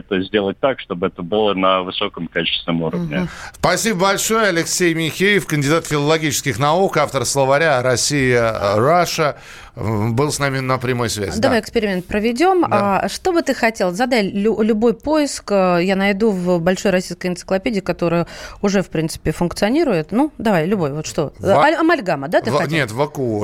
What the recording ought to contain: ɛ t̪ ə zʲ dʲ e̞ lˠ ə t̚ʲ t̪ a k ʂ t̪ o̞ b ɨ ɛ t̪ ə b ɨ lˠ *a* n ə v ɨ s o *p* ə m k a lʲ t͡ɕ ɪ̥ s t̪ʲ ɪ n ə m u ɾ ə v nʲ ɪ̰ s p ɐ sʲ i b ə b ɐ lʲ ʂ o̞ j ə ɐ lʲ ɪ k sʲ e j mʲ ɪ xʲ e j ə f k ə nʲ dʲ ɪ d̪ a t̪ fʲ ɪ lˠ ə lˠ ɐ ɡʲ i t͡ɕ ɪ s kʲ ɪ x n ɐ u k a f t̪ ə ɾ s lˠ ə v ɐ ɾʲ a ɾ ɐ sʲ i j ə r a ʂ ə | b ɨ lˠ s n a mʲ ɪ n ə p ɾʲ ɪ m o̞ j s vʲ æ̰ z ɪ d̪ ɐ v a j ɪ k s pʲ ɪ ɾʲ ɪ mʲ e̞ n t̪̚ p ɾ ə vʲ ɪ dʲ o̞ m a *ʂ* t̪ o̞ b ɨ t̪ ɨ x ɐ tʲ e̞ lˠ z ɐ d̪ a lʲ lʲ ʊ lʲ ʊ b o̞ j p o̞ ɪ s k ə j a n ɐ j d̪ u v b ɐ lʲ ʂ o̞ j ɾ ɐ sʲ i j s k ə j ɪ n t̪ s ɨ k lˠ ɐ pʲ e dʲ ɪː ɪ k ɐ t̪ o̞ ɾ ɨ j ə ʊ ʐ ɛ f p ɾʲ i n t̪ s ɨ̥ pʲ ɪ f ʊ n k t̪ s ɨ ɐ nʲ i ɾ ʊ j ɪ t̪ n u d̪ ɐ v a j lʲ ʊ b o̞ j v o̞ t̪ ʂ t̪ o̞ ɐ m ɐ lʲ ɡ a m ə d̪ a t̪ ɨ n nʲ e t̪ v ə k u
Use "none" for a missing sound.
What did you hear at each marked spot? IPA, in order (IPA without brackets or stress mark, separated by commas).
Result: ə, k, ʂ